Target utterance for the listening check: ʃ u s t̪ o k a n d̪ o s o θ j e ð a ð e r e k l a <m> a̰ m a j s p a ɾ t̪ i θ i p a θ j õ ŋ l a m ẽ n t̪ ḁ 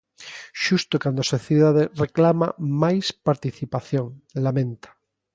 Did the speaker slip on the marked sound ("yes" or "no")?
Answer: no